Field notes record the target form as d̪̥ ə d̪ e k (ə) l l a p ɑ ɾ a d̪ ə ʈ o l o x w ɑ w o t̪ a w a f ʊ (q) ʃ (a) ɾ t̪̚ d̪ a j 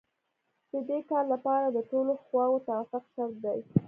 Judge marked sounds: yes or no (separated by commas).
no, yes, yes